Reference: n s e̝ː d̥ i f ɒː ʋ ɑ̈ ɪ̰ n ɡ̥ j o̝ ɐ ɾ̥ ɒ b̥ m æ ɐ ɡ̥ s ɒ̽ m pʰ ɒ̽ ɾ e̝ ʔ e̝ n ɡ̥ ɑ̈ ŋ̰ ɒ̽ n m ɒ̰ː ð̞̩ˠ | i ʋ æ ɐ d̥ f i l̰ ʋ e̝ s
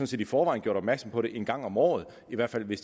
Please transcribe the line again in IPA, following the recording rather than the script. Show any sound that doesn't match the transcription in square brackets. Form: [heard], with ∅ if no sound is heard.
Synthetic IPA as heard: n s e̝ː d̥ i f ɒː ʋ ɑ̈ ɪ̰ n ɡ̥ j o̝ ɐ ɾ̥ ɒ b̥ m æ ɐ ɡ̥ s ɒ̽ m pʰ ɒ̽ ɾ e̝ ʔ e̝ n ɡ̥ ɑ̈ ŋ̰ ɒ̽ [∅] m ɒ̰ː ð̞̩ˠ | i ʋ æ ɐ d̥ f [æ] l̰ ʋ e̝ s